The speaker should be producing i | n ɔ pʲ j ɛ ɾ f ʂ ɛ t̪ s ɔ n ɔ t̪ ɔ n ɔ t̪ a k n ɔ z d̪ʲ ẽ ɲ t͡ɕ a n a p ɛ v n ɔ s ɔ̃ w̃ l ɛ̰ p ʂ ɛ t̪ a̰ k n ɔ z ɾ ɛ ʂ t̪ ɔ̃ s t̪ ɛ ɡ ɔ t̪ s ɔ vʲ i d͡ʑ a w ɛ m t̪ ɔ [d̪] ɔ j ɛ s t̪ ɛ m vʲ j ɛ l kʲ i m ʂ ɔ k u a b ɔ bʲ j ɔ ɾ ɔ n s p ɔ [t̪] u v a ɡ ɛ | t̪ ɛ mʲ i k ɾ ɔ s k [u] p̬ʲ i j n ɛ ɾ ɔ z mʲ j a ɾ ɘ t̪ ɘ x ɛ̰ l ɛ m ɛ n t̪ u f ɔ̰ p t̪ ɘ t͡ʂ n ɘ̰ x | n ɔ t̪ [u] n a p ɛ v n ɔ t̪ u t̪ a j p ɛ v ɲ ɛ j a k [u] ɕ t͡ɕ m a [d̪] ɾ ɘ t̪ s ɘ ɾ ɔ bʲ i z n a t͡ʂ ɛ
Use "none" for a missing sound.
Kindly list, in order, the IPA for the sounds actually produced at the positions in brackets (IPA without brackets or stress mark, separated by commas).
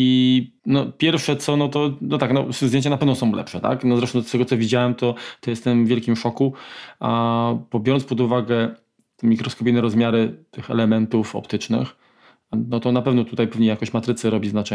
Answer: t̪, d̪, ɔ, ɔ, ɔ, t̪